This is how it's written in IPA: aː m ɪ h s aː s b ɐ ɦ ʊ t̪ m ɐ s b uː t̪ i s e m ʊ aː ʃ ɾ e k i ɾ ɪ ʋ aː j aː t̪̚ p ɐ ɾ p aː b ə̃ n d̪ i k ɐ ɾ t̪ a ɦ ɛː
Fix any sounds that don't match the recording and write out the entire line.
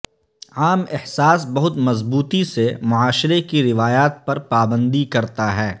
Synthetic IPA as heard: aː m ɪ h s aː s b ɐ ɦ ʊ t̪ m ɐ z b uː t̪ i s e m ʊ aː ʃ ɾ e k i ɾ ɪ ʋ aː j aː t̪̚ p ɐ ɾ p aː b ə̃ n d̪ i k ɐ ɾ t̪ a ɦ ɛː